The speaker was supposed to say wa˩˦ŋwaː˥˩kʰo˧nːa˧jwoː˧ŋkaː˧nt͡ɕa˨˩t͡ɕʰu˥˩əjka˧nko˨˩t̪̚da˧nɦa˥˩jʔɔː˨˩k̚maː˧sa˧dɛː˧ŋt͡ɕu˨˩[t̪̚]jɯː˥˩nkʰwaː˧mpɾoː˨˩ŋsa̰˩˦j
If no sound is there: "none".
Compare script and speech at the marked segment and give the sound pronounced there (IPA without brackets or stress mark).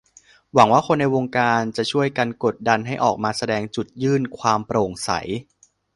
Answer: t̪̚